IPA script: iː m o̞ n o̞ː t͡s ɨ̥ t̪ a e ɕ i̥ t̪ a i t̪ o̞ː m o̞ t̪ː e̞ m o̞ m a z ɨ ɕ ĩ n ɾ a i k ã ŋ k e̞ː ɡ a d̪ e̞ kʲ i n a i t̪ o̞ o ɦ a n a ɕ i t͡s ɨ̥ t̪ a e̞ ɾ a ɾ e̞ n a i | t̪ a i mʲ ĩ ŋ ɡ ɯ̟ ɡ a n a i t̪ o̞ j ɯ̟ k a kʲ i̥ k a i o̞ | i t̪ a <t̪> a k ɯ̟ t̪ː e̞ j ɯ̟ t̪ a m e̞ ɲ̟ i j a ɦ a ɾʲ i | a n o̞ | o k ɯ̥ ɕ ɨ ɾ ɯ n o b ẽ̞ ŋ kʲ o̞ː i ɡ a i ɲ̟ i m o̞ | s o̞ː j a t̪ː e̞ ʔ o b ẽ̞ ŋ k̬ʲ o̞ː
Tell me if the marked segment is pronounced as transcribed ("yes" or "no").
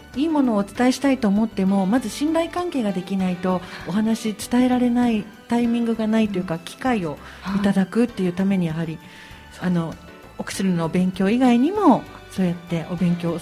no